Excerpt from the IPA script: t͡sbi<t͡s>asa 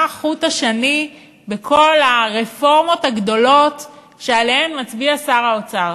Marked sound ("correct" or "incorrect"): incorrect